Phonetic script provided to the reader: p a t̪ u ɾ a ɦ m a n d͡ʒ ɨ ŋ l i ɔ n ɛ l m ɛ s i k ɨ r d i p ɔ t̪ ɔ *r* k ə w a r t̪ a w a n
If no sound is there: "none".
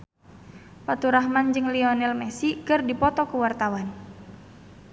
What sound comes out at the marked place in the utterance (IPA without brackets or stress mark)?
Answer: none